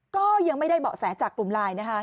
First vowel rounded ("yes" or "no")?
yes